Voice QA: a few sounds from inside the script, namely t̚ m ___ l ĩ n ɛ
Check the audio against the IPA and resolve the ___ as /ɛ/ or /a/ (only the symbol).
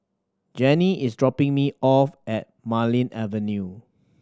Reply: a